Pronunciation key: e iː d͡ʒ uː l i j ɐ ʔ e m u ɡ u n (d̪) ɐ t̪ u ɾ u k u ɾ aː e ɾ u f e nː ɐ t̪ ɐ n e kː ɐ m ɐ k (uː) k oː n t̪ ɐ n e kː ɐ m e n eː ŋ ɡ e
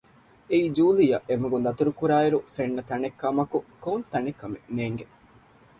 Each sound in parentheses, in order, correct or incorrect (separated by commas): correct, incorrect